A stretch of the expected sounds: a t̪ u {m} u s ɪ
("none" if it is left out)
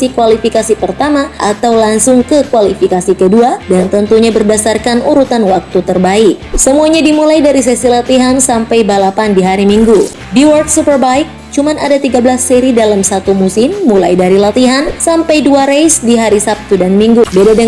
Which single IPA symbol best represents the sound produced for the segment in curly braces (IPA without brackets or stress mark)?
m